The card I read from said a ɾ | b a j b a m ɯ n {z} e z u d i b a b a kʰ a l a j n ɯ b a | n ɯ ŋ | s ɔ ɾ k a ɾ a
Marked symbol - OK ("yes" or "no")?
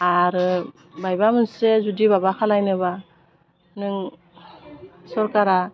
no